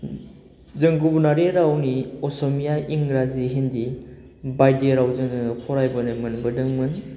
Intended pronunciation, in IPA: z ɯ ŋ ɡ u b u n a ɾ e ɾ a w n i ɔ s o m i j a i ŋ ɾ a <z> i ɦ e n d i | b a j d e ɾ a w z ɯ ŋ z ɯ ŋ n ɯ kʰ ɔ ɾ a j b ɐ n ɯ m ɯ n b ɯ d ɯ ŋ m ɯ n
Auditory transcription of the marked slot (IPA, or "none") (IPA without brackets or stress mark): z